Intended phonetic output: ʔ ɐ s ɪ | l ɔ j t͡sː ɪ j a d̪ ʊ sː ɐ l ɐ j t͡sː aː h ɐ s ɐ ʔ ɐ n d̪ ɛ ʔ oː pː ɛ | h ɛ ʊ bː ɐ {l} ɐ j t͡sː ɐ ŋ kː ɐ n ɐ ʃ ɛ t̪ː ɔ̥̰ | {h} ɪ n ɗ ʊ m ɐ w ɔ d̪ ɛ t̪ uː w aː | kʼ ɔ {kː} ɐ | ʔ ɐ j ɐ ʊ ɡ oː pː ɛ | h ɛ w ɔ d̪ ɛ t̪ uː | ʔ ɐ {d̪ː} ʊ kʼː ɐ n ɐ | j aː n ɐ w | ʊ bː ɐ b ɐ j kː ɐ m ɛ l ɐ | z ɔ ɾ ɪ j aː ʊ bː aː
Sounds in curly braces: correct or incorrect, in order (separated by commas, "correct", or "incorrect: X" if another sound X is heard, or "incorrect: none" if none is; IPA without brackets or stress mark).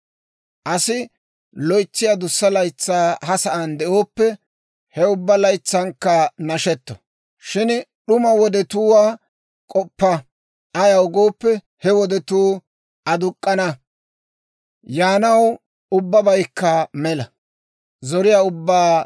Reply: correct, incorrect: ʃ, incorrect: pː, incorrect: d̪